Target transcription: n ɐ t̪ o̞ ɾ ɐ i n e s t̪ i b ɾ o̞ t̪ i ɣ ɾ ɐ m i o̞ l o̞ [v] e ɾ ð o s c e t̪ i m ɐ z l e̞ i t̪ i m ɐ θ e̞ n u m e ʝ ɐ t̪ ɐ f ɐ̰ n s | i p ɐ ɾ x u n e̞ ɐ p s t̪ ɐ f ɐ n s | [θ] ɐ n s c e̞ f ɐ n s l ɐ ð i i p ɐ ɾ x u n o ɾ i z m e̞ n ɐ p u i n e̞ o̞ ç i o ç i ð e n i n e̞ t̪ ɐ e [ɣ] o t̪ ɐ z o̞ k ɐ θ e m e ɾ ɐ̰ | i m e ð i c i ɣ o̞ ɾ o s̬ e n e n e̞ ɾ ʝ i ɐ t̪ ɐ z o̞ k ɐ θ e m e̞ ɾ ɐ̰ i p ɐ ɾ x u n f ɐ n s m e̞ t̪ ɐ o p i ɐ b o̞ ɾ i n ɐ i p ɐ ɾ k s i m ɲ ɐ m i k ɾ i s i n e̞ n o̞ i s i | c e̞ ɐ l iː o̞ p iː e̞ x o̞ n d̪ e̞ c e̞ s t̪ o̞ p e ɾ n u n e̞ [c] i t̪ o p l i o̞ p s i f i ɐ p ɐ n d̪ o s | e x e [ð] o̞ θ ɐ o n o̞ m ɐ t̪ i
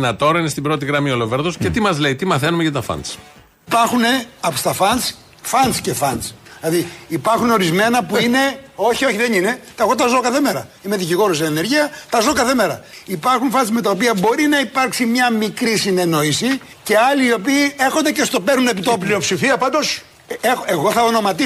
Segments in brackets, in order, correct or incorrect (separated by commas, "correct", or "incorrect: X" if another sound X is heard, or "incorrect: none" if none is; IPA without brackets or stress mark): correct, incorrect: f, correct, incorrect: p, incorrect: ɣ